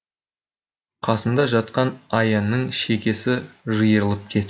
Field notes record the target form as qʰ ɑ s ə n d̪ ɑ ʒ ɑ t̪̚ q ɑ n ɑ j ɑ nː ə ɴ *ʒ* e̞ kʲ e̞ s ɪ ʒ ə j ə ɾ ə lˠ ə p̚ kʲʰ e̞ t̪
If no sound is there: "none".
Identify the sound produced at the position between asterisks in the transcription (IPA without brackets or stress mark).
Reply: ʃ